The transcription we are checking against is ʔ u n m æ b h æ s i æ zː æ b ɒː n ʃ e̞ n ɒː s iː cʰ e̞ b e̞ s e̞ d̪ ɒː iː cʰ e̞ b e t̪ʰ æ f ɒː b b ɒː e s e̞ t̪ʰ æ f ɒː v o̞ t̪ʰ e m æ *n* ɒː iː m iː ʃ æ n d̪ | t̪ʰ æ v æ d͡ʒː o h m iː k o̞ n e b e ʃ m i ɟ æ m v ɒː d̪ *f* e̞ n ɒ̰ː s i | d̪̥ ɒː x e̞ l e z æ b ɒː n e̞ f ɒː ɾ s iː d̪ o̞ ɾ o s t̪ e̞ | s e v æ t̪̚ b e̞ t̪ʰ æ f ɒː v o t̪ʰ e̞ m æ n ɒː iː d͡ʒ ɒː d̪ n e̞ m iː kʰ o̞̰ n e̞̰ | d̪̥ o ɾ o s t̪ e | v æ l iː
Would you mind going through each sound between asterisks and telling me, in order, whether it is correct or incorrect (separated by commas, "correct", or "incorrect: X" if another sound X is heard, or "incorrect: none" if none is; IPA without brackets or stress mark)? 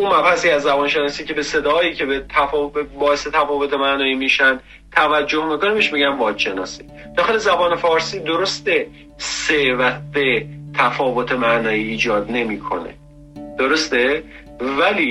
correct, incorrect: ʃ